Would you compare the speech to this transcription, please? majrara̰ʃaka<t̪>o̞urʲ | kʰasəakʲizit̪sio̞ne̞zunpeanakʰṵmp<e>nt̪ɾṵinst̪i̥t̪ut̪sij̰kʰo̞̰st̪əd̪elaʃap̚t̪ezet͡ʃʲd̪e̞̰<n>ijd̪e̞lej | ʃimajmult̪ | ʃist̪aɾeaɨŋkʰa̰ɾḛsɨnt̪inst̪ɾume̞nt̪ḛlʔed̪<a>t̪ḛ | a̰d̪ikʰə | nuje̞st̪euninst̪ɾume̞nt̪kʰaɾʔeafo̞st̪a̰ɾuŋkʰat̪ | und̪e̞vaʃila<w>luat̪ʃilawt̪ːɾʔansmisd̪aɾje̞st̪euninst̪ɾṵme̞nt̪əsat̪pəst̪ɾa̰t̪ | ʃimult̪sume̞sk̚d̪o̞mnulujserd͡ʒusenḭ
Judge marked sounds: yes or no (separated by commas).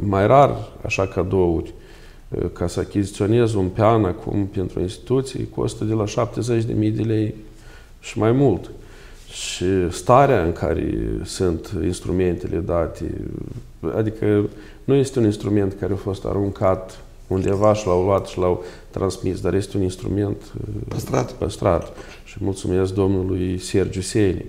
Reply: no, yes, no, yes, yes